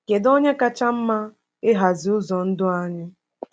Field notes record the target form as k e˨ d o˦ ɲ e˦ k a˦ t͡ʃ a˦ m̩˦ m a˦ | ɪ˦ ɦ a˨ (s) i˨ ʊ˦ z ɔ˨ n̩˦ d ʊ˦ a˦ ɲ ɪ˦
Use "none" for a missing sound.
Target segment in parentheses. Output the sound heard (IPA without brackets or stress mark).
z